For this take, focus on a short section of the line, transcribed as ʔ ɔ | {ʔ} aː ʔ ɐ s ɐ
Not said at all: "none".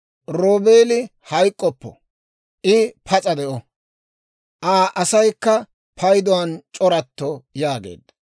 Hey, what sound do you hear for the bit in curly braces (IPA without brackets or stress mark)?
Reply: ʔ